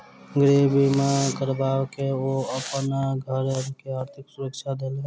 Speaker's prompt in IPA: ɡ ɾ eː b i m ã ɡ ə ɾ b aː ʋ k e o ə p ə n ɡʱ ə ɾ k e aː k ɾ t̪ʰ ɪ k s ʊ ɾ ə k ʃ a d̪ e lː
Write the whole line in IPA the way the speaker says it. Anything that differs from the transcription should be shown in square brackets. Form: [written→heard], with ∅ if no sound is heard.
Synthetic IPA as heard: ɡ ɾ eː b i m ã [ɡ→k] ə ɾ b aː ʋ k e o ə p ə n ɡʱ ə ɾ k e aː [k→∅] ɾ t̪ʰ ɪ k s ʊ ɾ ə k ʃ a d̪ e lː